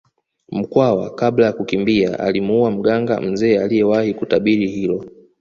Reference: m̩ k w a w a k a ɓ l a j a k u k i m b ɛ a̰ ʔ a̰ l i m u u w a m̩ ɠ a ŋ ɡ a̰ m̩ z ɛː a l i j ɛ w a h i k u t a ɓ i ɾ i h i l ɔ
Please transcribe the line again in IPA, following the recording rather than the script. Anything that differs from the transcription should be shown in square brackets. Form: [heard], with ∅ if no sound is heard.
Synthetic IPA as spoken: m̩ k w a w a k a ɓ l a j a k u k i m b [i] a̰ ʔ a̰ l i m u u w a m̩ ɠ a ŋ ɡ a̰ m̩ z ɛː a l i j ɛ w a h i k u t a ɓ i ɾ i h i l ɔ